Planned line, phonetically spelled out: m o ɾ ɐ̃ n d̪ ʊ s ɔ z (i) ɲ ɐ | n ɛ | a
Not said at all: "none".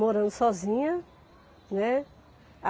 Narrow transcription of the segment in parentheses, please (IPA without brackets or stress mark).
ĩ